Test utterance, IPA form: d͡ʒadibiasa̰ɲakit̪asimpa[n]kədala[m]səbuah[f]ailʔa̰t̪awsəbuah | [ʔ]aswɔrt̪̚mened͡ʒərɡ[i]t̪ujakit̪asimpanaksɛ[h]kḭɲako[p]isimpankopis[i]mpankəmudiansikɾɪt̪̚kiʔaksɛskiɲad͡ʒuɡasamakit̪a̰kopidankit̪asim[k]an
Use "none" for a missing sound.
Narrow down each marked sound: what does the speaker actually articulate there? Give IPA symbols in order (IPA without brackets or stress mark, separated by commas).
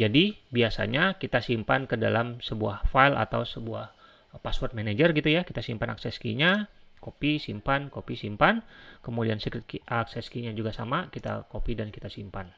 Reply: n, m, f, p, i, s, p, i, p